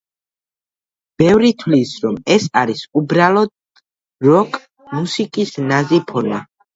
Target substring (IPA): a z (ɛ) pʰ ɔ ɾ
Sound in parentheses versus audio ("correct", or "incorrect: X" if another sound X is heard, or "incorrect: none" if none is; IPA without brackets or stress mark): incorrect: i